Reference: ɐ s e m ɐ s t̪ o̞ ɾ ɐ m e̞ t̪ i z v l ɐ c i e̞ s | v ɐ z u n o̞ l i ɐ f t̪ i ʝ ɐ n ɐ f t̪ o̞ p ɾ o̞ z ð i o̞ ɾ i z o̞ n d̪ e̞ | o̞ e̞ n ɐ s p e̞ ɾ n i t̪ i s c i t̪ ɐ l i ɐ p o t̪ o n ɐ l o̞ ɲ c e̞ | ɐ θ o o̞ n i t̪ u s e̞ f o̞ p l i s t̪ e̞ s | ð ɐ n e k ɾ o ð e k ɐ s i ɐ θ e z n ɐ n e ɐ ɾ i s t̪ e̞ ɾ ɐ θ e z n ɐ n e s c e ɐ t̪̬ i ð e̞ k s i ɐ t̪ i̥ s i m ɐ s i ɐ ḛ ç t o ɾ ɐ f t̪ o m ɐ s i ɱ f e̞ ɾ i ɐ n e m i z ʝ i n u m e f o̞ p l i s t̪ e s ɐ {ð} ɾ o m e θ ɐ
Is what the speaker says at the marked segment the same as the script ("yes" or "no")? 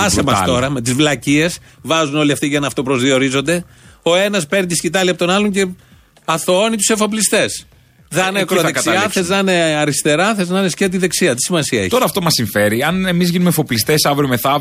no